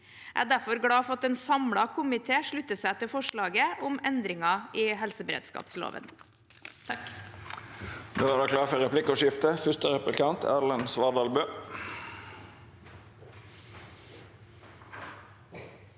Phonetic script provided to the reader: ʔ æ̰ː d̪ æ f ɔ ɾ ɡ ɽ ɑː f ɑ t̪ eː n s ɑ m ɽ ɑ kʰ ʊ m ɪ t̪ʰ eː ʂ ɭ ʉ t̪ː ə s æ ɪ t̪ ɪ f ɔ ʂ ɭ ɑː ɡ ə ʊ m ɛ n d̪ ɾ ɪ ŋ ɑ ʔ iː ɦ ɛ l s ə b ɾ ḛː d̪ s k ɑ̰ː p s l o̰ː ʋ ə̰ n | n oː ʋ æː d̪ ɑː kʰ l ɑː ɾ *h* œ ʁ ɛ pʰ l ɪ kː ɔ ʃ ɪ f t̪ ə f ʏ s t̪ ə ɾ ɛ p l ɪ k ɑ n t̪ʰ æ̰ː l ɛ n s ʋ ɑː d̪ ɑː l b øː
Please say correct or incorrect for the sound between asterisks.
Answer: incorrect: f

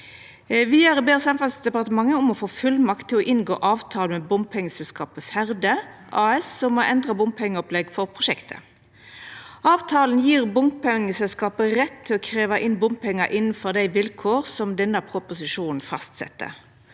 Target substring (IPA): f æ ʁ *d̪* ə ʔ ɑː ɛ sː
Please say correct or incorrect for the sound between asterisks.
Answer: correct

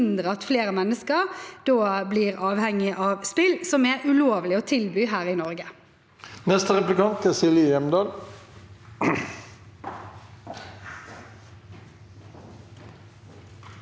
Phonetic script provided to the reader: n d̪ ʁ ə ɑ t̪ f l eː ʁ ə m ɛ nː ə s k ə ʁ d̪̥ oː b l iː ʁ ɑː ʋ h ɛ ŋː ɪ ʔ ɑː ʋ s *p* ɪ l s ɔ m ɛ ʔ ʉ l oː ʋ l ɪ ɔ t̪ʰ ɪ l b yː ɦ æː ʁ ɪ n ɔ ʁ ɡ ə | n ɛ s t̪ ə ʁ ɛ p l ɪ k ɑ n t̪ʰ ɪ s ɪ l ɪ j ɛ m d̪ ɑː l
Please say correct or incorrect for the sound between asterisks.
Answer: correct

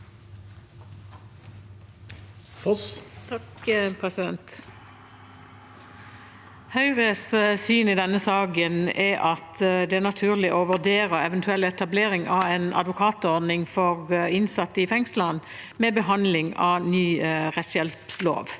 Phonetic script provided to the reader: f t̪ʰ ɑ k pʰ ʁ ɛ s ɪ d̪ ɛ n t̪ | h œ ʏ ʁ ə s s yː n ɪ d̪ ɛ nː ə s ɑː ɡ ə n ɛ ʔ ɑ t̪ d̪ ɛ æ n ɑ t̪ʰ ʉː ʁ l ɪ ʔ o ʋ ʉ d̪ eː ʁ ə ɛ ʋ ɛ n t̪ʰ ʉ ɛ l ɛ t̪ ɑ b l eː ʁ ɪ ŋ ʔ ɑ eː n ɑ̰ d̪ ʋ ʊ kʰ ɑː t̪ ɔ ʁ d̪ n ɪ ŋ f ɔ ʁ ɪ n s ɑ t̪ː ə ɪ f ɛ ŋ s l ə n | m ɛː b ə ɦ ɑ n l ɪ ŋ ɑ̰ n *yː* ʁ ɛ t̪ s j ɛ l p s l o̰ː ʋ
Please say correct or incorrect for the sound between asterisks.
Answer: correct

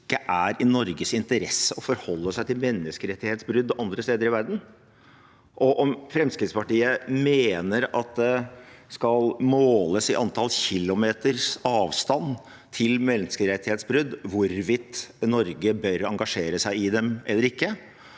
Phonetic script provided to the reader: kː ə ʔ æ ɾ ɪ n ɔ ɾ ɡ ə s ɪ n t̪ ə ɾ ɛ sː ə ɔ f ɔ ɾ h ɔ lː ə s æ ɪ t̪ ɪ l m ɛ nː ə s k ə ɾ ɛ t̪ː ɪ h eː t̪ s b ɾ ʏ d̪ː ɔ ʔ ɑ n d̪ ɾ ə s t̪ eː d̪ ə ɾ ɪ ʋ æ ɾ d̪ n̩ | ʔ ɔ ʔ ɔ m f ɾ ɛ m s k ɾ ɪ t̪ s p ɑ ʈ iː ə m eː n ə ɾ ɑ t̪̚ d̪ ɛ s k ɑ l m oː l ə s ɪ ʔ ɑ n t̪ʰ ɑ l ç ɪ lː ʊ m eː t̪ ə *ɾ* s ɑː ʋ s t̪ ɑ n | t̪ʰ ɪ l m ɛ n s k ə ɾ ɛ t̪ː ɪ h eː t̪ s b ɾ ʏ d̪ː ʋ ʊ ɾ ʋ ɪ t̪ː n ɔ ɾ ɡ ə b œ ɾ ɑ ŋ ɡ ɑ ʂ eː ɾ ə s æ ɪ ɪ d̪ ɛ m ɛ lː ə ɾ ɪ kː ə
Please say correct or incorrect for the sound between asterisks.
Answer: correct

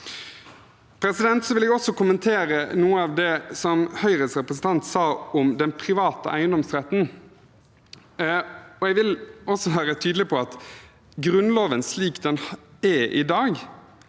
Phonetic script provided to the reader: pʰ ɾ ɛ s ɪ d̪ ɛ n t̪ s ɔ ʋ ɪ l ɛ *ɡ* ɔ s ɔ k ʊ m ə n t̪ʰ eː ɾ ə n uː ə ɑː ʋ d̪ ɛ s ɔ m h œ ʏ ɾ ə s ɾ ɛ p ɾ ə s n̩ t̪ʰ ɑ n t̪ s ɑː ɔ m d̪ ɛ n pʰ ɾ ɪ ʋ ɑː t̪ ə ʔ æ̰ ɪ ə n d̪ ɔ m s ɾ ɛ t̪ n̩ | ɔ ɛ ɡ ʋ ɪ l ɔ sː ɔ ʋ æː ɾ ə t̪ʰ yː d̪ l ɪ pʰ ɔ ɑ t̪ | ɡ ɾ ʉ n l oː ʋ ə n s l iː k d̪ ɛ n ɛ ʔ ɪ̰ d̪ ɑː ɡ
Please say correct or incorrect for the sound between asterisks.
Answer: correct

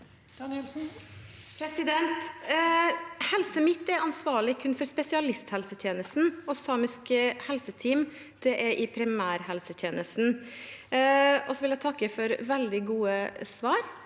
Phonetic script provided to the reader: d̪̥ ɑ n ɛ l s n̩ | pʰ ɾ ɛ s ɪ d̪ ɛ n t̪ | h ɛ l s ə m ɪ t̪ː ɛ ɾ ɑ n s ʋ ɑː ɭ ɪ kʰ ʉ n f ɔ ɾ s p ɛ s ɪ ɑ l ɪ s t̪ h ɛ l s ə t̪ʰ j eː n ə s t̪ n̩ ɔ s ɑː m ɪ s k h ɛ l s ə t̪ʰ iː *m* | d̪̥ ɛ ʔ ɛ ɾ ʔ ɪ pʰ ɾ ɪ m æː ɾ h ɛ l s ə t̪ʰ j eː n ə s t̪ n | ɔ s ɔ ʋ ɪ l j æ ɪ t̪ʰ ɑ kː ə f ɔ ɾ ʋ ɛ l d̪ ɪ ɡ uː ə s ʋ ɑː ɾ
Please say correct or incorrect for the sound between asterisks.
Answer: correct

